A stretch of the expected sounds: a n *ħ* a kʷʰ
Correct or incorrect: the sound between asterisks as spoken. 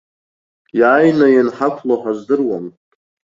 correct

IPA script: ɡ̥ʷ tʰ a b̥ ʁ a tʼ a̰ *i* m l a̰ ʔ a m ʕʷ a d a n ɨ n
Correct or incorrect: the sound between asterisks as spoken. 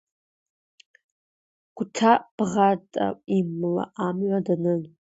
correct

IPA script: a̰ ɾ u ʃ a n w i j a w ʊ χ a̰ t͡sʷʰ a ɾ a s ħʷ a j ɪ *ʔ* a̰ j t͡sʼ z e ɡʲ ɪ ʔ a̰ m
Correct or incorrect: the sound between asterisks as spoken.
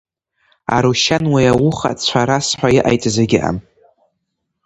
correct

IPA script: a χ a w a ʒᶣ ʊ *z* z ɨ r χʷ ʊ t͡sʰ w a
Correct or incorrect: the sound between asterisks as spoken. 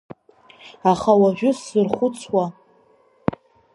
incorrect: s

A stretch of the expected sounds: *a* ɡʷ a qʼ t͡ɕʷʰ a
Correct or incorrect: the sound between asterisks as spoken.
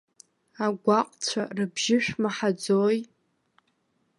correct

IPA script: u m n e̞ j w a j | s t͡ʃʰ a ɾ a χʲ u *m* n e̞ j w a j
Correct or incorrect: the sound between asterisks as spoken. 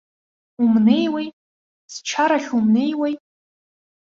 correct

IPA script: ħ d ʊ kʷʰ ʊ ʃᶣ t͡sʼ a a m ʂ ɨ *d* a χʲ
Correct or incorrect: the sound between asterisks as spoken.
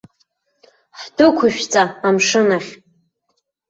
incorrect: n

